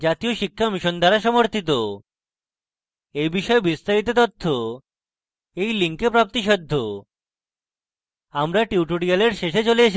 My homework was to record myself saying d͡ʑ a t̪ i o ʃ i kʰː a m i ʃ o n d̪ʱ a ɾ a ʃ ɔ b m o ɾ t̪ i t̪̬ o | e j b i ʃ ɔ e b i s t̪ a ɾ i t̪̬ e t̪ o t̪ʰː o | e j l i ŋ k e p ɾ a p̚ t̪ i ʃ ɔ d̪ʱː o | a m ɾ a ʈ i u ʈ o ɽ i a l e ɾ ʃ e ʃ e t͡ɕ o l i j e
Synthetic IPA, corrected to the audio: d͡ʑ a t̪ i o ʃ i kʰː a m i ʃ o n d̪ʱ a ɾ a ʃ ɔ m o ɾ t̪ i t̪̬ o | e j b i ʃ ɔ e b i s t̪ a ɾ i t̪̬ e t̪ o t̪ʰː o | e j l i ŋ k e p ɾ a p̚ t̪ i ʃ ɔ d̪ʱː o | a m ɾ a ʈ i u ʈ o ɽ i a l e ɾ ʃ e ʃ e t͡ɕ o l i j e